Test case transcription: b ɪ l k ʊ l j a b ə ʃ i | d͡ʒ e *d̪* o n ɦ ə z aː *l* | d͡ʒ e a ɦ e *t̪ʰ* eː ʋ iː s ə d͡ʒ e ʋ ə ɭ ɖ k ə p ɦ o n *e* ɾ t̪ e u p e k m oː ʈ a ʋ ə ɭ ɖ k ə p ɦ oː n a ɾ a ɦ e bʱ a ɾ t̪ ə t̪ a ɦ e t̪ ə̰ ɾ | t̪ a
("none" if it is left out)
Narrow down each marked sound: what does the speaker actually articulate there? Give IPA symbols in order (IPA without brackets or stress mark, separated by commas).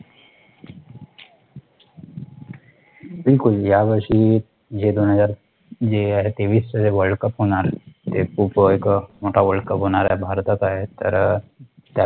d̪, ɾ, t̪, a